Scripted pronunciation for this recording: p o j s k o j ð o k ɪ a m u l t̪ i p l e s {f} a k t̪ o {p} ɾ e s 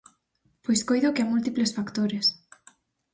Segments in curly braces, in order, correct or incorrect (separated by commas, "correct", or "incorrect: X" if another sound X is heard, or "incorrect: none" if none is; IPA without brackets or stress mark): correct, incorrect: none